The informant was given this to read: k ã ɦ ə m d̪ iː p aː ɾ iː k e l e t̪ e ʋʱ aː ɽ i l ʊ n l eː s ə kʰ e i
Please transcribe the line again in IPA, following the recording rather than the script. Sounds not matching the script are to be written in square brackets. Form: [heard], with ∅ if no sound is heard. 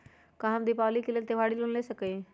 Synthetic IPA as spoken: k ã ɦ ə m d̪ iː p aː [l] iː k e l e t̪ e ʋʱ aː ɽ i l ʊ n l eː s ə [k] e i